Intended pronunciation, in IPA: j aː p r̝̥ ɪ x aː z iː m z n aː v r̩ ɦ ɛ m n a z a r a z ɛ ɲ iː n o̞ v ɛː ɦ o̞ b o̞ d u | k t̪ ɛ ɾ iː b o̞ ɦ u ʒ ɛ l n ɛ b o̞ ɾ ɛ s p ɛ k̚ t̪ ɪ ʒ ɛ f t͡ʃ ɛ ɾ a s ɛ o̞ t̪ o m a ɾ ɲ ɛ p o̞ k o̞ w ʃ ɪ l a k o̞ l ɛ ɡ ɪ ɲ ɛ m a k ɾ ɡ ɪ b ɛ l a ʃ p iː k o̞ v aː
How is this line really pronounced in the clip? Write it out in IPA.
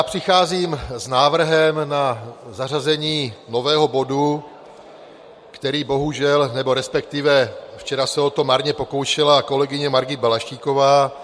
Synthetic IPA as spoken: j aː p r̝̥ ɪ x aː z iː m z n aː v r̩ ɦ ɛ m n a z a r a z ɛ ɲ iː n o̞ v ɛː ɦ o̞ b o̞ d u | k t̪ ɛ ɾ iː b o̞ ɦ u ʒ ɛ l n ɛ b o̞ ɾ ɛ s p ɛ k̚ t̪ ɪ v ɛ f t͡ʃ ɛ ɾ a s ɛ o̞ t̪ o m a ɾ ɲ ɛ p o̞ k o̞ w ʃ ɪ l a k o̞ l ɛ ɡ ɪ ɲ ɛ m a ɾ ɡ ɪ b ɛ l a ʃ c iː k o̞ v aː